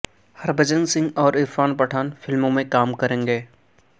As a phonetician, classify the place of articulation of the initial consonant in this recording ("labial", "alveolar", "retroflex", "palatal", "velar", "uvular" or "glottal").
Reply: glottal